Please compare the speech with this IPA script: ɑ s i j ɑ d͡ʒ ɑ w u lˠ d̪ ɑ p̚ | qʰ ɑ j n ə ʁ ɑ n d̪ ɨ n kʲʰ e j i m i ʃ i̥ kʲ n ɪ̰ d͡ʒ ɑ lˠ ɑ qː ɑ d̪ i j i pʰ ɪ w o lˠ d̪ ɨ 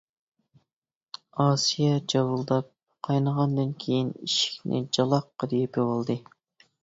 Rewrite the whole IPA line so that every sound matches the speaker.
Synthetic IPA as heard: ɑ s i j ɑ d͡ʒ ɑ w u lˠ d̪ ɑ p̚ | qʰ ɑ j n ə ʁ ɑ n d̪ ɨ n kʲʰ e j i n i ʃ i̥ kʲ n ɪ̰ d͡ʒ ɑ lˠ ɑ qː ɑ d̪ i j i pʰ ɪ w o lˠ d̪ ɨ